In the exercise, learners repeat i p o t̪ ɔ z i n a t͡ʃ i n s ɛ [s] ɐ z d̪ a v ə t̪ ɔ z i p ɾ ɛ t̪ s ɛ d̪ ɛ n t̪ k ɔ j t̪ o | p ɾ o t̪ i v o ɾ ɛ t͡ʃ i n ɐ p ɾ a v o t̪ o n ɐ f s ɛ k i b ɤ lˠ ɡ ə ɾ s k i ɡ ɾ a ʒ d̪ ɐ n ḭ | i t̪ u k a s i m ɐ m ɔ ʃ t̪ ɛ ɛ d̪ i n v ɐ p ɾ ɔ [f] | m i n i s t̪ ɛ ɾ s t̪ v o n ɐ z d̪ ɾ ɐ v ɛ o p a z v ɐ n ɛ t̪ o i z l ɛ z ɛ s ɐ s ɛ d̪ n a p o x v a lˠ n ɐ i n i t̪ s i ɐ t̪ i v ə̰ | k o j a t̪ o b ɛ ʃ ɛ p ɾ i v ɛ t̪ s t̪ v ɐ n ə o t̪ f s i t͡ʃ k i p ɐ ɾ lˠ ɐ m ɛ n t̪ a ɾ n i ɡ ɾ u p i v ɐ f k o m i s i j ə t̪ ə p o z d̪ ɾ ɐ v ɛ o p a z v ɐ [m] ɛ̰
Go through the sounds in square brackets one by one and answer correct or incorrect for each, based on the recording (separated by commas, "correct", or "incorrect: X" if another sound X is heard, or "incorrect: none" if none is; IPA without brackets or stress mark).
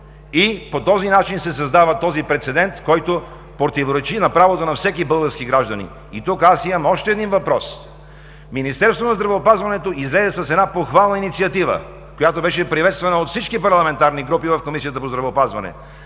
correct, incorrect: s, incorrect: n